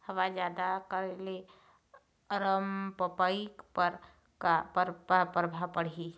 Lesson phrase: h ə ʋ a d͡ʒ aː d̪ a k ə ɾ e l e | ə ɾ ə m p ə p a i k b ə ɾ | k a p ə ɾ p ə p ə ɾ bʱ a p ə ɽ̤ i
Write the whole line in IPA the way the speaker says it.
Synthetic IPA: h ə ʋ a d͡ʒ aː d̪ a k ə ɾ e l e | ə ɾ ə m p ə p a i k p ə ɾ | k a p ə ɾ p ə p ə ɾ bʱ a p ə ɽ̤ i